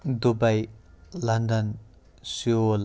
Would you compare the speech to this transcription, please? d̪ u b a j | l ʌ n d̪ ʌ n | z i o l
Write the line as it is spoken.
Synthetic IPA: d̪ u b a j | l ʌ n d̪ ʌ n | s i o l